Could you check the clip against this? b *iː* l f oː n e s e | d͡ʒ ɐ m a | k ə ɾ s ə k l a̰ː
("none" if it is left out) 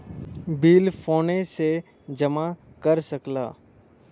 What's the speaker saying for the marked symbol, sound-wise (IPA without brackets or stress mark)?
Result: iː